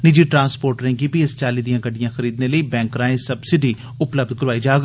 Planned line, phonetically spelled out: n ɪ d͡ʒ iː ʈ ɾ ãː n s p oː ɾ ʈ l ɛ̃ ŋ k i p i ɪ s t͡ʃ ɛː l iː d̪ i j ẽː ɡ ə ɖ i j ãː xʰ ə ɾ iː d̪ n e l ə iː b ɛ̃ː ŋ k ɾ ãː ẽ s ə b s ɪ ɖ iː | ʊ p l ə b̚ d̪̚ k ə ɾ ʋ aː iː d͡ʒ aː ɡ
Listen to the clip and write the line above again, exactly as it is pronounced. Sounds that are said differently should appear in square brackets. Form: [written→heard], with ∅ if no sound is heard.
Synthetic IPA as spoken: n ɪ d͡ʒ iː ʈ ɾ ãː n s p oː ɾ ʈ [l→ɾ] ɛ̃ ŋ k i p i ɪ s t͡ʃ [ɛː→aː] l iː d̪ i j [ẽː→ãː] ɡ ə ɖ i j ãː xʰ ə ɾ iː d̪ n e l ə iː b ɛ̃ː ŋ k ɾ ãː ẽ s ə b s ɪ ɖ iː | ʊ p l ə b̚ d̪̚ k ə ɾ ʋ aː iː d͡ʒ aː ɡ